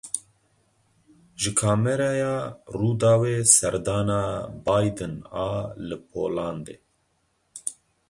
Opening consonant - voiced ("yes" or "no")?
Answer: yes